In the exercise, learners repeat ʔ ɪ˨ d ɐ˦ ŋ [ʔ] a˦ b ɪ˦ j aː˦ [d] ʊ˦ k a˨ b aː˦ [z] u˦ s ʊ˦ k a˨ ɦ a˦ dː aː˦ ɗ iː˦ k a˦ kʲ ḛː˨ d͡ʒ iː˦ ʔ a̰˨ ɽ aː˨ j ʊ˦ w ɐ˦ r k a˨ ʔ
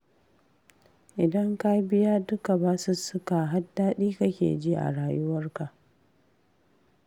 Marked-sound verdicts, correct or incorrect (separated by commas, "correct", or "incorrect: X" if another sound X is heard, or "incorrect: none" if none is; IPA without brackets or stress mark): incorrect: k, correct, incorrect: s